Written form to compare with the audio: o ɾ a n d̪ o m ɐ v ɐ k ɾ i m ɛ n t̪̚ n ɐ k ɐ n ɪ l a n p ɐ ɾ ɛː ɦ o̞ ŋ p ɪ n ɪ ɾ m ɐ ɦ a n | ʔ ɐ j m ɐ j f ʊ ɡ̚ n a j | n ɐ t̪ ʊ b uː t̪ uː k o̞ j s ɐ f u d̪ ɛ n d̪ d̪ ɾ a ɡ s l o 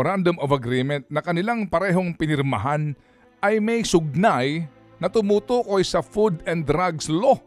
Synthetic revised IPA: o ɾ a n d̪ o m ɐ v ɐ ɡ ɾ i m ɛ n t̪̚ n ɐ k ɐ n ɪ l a ŋ p ɐ ɾ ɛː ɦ o̞ ŋ p ɪ n ɪ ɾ m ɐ ɦ a n | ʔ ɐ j m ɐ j s ʊ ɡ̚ n a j | n ɐ t̪ ʊ m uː t̪ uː k o̞ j s ɐ f u d̪ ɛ n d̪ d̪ ɾ a ɡ s l o